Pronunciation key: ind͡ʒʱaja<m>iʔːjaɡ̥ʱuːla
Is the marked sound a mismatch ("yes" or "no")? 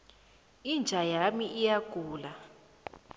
no